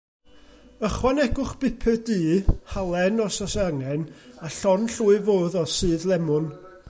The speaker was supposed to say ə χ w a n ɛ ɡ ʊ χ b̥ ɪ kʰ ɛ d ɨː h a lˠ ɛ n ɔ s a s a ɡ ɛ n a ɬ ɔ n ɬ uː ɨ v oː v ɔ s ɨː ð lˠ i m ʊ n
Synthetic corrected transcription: ə χ w a n ɛ ɡ ʊ χ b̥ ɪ pʰ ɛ d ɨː h a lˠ ɛ n ɔ s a s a ŋ ɛ n a ɬ ɔ n ɬ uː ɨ v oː ð ɔ s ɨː ð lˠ ɛ m ʊ n